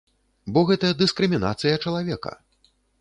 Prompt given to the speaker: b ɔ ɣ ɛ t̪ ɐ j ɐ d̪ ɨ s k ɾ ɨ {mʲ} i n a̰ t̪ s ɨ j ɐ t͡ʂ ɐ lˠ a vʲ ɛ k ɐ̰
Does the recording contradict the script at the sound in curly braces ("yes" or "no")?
no